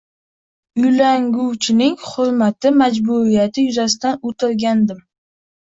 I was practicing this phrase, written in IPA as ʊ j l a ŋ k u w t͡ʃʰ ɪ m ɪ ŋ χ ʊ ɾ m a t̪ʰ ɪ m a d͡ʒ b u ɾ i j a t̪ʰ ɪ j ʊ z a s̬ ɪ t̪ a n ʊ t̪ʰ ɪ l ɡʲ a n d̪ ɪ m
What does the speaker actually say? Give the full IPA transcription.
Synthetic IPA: ʊ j l a ŋ ɡ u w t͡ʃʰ ɪ n ɪ ŋ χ ʊ ɾ m a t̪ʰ ɪ m a d͡ʒ b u ɾ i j a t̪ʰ ɪ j ʊ z a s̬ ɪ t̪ a n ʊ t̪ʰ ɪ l ɡʲ a n d̪ ɪ m